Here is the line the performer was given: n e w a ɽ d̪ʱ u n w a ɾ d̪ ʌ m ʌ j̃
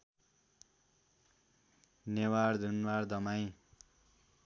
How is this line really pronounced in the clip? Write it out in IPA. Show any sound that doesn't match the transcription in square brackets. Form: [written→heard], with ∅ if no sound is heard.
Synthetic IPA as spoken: n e w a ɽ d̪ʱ u n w a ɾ d̪ ʌ m [ʌ→a] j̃